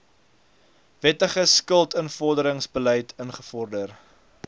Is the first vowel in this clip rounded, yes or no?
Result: no